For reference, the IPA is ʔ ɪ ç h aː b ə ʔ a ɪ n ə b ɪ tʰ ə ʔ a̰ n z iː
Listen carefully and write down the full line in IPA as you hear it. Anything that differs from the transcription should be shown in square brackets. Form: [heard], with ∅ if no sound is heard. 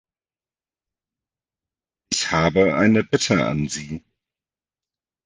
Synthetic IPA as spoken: ʔ ɪ ç h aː b ə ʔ a ɪ n ə b ɪ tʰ ə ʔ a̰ n z iː